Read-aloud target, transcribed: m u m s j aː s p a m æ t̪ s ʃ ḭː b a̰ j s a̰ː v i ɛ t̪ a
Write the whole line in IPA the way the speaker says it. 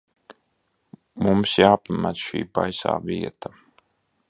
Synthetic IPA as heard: m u m s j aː p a m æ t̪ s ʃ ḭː b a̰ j s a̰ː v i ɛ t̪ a